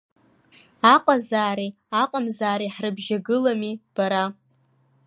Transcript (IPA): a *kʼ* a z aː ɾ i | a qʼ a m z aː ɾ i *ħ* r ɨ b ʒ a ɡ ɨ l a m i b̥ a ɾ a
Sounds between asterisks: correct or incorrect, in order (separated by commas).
incorrect, correct